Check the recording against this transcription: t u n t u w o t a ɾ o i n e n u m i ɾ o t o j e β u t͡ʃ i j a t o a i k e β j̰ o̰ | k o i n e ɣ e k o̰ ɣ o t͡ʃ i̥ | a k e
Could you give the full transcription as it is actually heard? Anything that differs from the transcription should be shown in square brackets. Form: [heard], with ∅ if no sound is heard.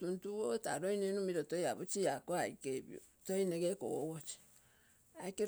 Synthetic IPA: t u n t u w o t a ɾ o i n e n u m i ɾ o t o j [a] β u t͡ʃ i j a [k] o a i k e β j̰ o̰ | [t] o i n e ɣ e k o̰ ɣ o t͡ʃ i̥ | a k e